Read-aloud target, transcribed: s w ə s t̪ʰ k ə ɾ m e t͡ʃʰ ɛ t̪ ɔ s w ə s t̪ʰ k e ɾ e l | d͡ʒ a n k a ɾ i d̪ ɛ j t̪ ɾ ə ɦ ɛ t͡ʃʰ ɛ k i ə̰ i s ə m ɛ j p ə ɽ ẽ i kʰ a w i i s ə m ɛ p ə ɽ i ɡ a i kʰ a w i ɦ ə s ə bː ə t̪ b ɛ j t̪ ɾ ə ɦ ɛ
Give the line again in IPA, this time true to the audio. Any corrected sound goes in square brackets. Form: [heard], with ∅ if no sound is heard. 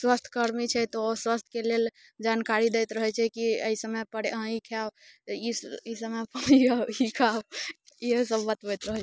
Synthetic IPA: s w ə s t̪ʰ k ə ɾ m [i] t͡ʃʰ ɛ t̪ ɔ s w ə s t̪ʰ k e [l] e l | d͡ʒ a n k a ɾ i d̪ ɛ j t̪ ɾ ə ɦ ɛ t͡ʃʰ ɛ k i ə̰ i s ə m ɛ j p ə ɽ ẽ i kʰ a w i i s ə m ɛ p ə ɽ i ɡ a i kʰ a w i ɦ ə s ə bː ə t̪ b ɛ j t̪ ɾ ə ɦ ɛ